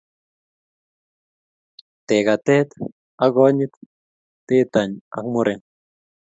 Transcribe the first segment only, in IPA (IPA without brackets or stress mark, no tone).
t̪